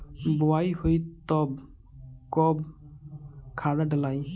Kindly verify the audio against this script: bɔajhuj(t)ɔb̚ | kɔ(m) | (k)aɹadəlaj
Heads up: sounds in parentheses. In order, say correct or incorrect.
correct, incorrect: b, incorrect: kʰ

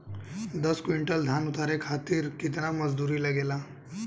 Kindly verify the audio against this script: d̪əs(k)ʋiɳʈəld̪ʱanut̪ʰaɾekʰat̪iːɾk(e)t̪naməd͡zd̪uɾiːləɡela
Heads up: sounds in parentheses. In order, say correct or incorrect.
correct, incorrect: i

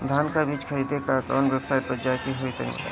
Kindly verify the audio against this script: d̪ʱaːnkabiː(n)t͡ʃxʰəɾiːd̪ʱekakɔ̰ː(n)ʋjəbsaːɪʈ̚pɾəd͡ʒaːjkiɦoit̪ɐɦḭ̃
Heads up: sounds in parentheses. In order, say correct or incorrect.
incorrect: none, correct

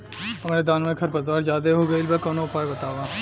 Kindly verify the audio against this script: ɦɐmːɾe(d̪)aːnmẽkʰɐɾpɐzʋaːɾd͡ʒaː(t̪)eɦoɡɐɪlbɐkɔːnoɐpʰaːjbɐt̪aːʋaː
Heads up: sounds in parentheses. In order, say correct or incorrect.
correct, incorrect: d̪

